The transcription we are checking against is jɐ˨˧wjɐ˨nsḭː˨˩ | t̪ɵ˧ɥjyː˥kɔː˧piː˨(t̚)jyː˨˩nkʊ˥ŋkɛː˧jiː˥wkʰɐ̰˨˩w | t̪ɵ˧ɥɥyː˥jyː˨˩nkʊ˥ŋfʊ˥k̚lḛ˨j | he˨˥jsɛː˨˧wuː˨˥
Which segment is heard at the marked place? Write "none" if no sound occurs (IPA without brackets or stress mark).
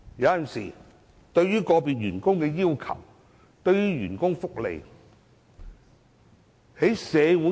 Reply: t̚